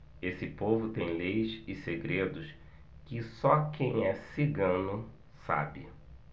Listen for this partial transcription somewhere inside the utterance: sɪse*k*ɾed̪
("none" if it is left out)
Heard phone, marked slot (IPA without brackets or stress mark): ɡ